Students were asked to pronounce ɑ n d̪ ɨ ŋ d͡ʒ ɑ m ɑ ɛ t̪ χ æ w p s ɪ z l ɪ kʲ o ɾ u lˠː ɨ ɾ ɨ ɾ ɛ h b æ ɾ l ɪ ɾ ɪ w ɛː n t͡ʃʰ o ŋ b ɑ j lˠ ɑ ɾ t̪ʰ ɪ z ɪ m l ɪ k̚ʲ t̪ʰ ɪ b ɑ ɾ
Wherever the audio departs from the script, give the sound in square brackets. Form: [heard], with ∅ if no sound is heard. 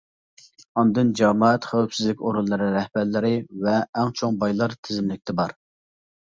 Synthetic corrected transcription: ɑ n d̪ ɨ [n] d͡ʒ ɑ m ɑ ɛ t̪ χ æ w p s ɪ z l ɪ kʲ o ɾ u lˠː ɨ ɾ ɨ ɾ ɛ h b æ ɾ l ɪ ɾ ɪ [v] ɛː [ŋ] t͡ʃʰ o ŋ b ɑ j lˠ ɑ ɾ t̪ʰ ɪ z ɪ m l ɪ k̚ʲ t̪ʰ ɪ b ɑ ɾ